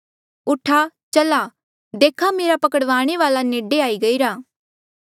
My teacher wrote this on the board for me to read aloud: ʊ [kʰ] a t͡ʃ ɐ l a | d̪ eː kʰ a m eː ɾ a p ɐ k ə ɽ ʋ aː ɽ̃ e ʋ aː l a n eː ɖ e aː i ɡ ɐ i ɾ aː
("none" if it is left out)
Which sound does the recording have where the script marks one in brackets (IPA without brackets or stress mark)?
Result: ʈʰ